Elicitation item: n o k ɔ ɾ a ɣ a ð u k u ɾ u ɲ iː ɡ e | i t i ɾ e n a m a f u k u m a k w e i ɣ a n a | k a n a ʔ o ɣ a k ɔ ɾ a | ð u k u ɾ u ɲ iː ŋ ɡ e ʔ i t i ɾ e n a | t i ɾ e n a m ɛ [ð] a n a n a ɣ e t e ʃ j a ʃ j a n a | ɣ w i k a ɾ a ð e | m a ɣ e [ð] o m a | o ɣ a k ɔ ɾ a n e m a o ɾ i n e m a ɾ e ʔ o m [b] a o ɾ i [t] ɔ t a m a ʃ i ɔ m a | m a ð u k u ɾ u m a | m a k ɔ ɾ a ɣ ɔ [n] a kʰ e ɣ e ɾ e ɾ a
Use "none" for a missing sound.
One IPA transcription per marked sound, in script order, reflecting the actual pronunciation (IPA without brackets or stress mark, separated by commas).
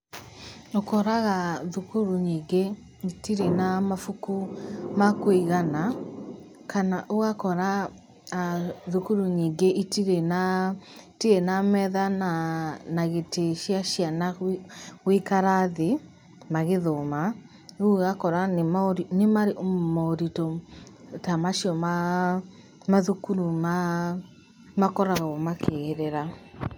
ð, ð, m, t, m